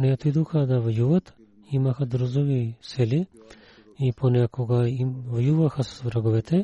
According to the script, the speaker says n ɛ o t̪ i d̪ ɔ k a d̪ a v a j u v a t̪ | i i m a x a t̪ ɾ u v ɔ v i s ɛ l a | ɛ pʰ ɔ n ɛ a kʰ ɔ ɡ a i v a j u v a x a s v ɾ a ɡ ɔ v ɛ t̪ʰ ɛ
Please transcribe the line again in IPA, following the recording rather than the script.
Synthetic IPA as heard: n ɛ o t̪ i d̪ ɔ x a d̪ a v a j u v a t̪ | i i m a x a d̪ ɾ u z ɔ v i s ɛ l i | i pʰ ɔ n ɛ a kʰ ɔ ɡ a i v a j u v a x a s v ɾ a ɡ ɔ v ɛ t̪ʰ ɛ